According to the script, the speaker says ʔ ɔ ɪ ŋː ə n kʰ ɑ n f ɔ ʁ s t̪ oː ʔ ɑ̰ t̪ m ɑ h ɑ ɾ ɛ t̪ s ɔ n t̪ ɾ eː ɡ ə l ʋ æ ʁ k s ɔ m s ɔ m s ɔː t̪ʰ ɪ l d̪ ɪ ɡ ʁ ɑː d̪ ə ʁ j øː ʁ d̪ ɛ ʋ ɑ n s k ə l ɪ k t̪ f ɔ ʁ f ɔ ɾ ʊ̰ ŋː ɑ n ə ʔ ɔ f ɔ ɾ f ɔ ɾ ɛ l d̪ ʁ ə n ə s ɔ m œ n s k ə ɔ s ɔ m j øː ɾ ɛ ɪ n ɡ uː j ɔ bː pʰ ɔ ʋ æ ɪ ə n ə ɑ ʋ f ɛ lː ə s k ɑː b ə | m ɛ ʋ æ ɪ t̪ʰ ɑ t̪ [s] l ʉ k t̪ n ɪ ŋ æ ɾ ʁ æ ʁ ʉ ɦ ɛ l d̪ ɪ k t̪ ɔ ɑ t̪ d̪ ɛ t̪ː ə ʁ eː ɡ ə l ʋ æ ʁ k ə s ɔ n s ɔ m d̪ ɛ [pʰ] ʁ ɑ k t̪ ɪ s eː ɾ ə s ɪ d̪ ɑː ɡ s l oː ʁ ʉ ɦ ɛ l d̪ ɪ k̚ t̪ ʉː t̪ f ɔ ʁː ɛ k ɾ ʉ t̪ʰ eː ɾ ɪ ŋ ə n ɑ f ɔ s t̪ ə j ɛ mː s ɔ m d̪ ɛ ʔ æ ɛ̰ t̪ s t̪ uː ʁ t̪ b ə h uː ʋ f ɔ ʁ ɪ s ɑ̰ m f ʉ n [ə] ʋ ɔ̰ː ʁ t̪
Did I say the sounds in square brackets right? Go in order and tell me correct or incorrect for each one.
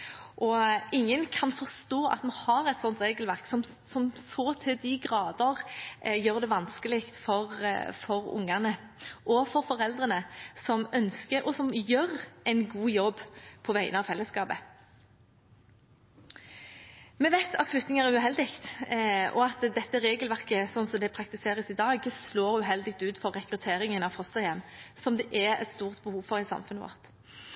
incorrect: f, correct, correct

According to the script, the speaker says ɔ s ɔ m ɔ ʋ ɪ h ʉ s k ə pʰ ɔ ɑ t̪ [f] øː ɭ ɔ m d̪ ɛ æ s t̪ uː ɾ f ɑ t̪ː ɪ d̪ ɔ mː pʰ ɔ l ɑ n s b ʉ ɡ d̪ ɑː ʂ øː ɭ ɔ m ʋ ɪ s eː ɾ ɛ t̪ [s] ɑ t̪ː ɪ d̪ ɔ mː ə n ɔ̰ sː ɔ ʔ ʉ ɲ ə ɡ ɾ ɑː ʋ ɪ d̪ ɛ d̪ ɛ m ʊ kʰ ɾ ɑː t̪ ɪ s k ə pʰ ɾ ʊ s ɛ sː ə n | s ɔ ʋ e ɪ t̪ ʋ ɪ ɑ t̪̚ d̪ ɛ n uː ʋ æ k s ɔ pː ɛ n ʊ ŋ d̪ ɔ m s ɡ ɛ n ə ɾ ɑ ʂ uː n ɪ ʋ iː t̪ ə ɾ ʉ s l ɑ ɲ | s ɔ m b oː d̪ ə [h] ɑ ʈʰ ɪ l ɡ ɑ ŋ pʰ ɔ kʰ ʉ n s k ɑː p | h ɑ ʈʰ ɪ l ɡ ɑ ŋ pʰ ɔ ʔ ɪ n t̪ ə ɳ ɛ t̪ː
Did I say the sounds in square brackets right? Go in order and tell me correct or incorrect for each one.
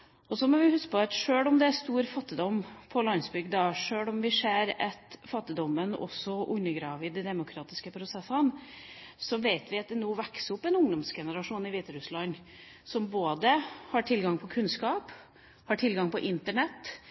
incorrect: ʂ, incorrect: f, correct

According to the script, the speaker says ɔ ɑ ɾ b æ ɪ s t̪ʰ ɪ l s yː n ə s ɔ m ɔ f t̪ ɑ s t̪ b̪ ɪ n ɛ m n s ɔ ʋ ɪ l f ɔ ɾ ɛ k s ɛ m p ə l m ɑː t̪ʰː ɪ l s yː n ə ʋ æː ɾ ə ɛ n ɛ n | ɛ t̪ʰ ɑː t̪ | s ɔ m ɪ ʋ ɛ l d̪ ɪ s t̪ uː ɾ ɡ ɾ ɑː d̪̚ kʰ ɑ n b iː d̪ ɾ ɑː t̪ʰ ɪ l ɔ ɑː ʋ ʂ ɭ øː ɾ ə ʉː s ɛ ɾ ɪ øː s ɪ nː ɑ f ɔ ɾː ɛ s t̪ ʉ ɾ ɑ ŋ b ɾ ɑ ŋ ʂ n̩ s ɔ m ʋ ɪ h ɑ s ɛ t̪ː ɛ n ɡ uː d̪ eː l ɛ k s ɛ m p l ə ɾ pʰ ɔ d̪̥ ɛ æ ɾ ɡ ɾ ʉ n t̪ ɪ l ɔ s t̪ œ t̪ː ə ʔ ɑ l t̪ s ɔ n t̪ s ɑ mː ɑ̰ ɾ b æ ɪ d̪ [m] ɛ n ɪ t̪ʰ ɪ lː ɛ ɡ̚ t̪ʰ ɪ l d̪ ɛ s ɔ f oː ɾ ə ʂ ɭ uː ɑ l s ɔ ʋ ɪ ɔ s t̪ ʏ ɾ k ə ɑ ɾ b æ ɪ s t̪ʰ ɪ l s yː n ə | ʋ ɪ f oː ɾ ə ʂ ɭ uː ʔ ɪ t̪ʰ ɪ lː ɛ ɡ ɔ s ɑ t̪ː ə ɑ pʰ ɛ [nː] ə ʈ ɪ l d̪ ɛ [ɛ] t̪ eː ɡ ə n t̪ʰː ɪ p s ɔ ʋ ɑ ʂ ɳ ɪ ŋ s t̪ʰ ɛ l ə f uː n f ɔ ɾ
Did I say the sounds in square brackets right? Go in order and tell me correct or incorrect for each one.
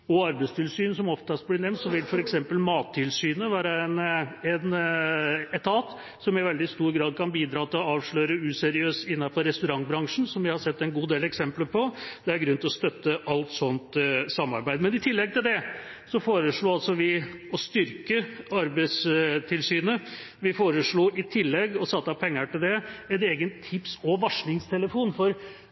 correct, incorrect: ŋː, correct

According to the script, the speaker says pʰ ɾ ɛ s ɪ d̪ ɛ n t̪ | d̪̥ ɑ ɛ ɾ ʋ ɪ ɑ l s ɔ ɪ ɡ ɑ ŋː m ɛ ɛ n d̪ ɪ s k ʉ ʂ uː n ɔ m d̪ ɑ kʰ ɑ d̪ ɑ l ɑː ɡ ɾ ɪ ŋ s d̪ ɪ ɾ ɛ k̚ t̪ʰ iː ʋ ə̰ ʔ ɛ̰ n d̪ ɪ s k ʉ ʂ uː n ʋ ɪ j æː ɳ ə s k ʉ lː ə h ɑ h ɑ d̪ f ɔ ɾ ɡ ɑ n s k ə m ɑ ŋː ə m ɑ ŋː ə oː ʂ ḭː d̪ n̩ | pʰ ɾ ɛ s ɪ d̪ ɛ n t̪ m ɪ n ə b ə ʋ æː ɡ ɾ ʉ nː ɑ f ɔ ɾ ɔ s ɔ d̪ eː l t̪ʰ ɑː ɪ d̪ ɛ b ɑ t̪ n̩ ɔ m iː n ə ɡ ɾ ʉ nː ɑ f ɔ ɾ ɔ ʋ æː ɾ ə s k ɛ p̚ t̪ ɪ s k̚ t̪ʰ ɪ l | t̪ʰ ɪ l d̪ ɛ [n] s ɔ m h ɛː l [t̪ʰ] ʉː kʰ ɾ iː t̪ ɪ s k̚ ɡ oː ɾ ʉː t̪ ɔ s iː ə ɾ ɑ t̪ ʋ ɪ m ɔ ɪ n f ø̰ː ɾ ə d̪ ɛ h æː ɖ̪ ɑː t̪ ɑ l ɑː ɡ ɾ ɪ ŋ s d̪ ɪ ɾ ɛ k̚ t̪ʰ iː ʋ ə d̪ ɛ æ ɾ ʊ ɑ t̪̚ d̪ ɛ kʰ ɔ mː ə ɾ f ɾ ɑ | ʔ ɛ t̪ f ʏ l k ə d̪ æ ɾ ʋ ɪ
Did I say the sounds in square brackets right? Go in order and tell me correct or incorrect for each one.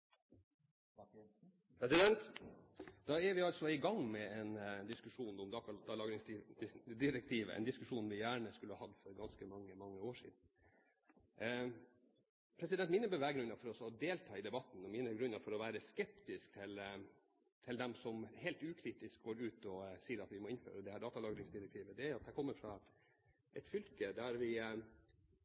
incorrect: m, incorrect: t̪

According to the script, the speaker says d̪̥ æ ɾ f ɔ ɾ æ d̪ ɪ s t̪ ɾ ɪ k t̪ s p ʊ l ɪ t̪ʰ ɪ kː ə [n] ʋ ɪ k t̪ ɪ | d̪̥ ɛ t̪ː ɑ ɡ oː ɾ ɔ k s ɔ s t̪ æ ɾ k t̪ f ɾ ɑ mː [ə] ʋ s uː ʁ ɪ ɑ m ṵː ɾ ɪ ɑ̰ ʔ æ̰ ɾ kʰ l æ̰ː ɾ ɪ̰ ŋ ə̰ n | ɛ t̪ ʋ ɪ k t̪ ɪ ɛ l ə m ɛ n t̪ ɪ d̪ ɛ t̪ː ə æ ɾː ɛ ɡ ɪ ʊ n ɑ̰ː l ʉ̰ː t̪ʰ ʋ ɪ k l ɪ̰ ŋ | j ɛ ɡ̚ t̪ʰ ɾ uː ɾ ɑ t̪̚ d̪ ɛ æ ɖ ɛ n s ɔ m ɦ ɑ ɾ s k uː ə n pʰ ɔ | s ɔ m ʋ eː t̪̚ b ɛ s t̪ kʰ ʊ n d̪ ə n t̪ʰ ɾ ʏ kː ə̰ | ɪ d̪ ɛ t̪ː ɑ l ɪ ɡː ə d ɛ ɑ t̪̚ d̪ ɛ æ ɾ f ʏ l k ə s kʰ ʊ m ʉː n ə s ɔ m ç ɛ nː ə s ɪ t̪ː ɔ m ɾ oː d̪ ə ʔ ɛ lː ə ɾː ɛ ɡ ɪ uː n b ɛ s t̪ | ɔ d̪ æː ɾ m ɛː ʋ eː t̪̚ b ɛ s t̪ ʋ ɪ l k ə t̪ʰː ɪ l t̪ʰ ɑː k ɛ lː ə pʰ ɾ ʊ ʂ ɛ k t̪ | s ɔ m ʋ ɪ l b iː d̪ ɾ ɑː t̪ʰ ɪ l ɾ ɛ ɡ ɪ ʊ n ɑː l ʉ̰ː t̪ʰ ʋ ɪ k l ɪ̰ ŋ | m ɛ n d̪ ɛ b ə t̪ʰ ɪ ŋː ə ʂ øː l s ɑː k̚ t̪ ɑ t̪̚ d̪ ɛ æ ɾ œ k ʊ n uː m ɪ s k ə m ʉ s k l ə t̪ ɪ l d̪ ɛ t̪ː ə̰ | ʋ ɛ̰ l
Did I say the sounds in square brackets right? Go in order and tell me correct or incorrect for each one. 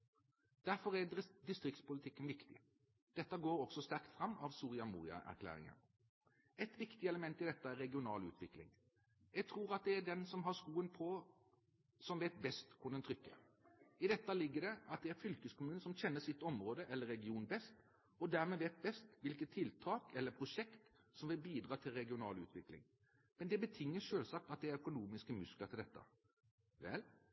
correct, incorrect: ɑ

